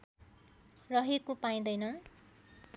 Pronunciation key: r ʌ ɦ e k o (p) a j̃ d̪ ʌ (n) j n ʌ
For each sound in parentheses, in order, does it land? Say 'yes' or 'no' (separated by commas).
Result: yes, no